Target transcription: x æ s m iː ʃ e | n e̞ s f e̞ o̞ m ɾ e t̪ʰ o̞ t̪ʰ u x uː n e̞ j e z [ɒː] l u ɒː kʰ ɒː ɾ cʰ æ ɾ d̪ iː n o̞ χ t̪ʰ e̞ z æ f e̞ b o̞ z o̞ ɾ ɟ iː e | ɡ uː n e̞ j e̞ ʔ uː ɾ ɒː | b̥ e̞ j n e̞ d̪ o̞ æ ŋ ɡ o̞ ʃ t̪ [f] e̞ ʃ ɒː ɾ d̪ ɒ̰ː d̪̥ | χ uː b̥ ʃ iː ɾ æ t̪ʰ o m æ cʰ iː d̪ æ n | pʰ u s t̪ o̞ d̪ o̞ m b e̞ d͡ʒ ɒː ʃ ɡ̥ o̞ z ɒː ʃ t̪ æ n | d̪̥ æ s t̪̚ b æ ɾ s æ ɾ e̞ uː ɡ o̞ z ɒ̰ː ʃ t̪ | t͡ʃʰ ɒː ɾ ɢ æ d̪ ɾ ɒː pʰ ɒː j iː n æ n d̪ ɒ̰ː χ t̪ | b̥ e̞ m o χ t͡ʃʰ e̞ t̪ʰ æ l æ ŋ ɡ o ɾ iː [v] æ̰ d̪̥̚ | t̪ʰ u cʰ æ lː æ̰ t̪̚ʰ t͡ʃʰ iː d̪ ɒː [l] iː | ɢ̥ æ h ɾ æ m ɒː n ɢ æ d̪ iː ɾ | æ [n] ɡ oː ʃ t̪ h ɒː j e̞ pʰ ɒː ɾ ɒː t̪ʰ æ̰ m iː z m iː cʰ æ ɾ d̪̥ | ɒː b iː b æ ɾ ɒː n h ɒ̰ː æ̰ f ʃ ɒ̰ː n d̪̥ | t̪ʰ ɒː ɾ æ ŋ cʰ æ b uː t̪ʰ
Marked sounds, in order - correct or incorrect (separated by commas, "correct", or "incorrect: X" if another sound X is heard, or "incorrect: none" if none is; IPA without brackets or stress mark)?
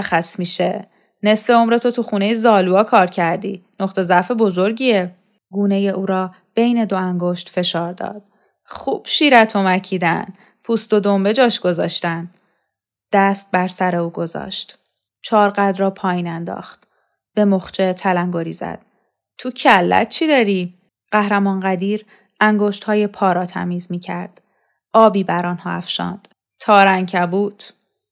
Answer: correct, correct, incorrect: z, incorrect: ɾ, incorrect: ŋ